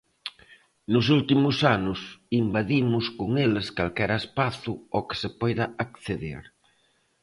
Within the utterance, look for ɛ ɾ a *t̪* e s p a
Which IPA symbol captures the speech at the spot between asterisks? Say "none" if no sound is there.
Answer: none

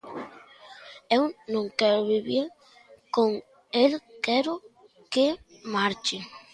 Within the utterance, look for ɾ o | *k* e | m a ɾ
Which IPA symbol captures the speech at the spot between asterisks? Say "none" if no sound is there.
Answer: k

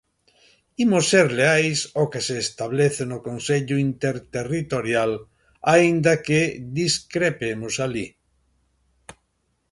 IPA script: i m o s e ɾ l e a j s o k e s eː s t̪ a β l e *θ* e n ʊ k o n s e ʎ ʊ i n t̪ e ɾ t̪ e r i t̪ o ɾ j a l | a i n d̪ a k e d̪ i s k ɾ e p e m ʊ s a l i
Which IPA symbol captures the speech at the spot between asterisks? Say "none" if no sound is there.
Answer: θ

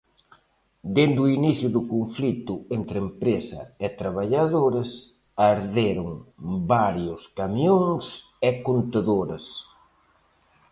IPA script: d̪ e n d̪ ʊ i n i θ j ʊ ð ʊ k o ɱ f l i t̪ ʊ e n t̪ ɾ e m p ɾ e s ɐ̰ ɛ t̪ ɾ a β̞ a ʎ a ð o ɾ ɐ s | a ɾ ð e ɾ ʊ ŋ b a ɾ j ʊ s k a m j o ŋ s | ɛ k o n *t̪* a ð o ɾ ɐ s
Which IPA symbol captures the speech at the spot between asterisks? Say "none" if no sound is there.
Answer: t̪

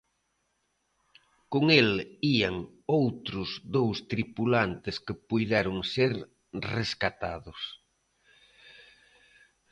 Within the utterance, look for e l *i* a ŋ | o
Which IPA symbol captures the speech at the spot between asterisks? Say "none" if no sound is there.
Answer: i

